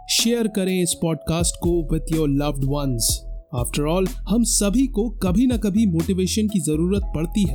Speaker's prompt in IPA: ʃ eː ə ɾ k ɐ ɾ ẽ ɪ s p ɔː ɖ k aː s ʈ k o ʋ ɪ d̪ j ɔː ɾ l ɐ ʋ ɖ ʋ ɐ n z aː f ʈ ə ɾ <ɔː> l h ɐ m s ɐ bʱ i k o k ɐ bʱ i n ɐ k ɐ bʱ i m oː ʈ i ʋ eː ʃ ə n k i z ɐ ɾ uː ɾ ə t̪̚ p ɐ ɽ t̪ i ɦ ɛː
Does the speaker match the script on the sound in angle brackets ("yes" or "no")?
yes